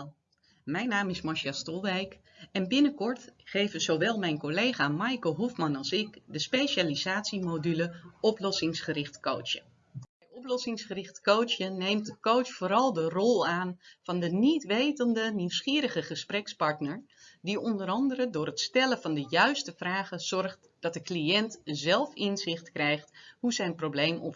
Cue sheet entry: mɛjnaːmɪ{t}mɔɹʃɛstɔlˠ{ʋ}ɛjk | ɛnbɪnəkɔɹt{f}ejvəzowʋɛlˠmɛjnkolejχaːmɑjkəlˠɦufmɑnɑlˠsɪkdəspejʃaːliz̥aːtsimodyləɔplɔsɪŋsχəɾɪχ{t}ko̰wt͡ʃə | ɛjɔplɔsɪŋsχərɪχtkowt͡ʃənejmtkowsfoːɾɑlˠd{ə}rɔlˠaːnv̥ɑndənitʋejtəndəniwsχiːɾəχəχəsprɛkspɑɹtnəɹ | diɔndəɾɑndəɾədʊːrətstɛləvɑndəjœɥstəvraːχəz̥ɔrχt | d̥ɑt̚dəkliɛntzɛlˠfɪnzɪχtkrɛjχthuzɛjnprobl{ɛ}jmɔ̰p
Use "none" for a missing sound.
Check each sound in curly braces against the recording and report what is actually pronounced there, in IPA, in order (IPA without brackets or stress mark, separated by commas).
s, ʋ, χ, t, ə, e